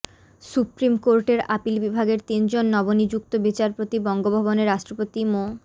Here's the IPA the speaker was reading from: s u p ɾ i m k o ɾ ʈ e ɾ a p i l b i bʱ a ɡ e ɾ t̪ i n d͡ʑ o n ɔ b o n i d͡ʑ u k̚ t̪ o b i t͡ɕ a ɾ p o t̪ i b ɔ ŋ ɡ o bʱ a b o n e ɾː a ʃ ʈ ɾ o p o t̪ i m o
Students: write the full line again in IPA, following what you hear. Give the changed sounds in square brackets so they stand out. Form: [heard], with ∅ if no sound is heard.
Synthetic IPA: s u p ɾ i m k o ɾ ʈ e ɾ a p i l b i bʱ a ɡ e ɾ t̪ i n d͡ʑ o [nː] ɔ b o n i d͡ʑ u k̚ t̪ o b i t͡ɕ a ɾ p o t̪ i b ɔ ŋ ɡ o bʱ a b o n e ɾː a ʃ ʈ ɾ o p o t̪ i m o

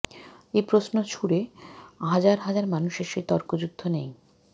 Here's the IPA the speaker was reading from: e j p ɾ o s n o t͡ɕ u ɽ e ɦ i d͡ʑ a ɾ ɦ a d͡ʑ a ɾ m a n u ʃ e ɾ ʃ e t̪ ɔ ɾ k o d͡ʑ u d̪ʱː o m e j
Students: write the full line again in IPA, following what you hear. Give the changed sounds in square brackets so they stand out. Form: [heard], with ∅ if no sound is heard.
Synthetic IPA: e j p ɾ o s n o [t͡ɕʰ] u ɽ e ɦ [a] d͡ʑ a ɾ ɦ a d͡ʑ a ɾ m a n u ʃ e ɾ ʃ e t̪ ɔ ɾ k o d͡ʑ u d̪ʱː o [n] e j

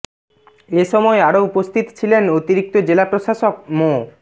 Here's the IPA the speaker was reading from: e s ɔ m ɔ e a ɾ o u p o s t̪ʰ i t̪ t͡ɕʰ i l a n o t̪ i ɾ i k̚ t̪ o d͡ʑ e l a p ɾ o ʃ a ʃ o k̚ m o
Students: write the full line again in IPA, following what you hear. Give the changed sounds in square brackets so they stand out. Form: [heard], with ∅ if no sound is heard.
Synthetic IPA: e [ʃ] ɔ m ɔ e a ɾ o u p o s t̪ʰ i t̪ t͡ɕʰ i l [e] n o t̪ i ɾ i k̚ t̪ o d͡ʑ e l a p ɾ o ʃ a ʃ o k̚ m o

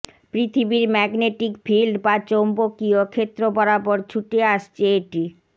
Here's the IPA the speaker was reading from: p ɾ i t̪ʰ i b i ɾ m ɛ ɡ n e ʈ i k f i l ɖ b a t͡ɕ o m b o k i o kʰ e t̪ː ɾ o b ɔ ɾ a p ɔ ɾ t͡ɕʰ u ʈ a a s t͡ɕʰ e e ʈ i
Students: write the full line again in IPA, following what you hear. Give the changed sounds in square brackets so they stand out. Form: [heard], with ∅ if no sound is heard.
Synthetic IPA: p ɾ i t̪ʰ i b i ɾ m ɛ ɡ n e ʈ i k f i l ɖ b a t͡ɕ o m b o k i o kʰ e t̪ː ɾ o b ɔ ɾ a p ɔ ɾ t͡ɕʰ u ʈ [e] a [ʃ] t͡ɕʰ e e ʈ i

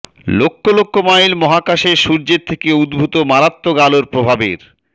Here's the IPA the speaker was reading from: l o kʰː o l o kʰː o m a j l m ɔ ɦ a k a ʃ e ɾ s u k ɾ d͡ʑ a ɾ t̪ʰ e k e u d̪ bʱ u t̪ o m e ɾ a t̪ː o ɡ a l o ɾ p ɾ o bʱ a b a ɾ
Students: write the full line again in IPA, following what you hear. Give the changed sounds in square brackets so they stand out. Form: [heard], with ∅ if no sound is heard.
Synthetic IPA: l o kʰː o l o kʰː o m a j l m ɔ ɦ a k a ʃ e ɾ [ʃ] u [∅] ɾ d͡ʑ [e] ɾ t̪ʰ e k e u d̪ bʱ u t̪ o m [a] ɾ a t̪ː o ɡ a l o ɾ p ɾ o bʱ a b [e] ɾ

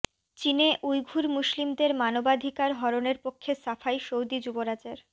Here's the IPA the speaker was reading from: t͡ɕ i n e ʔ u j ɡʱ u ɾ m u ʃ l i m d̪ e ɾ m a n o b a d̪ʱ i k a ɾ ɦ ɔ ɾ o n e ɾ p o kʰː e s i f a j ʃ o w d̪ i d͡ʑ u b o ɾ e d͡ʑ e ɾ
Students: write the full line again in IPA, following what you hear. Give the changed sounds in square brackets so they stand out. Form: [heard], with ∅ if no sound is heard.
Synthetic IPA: t͡ɕ i n e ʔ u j ɡʱ u ɾ m u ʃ l i m d̪ e ɾ m a n o b a d̪ʱ i k a ɾ ɦ ɔ ɾ o n e ɾ p o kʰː e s [a] f a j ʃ o w d̪ i d͡ʑ u b o ɾ [a] d͡ʑ e ɾ

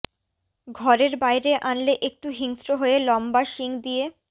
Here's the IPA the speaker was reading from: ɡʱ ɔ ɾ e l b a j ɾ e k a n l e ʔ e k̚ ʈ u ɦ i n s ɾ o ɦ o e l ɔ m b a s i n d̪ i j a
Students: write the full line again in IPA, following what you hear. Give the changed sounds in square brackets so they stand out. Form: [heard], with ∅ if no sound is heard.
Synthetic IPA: ɡʱ ɔ ɾ e [ɾ] b a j ɾ e [ʔ] a n l e ʔ e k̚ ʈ u ɦ i [ŋ] s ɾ o ɦ o e l ɔ m b a [ʃ] i [ŋ] d̪ i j [e]

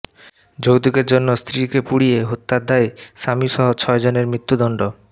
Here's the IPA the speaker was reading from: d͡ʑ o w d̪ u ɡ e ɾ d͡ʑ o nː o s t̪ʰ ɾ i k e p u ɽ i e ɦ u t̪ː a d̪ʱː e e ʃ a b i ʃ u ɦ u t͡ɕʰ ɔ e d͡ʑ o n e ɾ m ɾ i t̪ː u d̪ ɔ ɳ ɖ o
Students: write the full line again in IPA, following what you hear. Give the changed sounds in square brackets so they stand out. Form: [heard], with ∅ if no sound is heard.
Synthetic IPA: d͡ʑ o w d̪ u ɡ e ɾ d͡ʑ o nː o s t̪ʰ ɾ i k e p u ɽ i e ɦ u t̪ː a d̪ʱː [a] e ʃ a [m] i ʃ [ɔ] ɦ [o] t͡ɕʰ ɔ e d͡ʑ o n e ɾ m ɾ i t̪ː u d̪ ɔ ɳ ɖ o

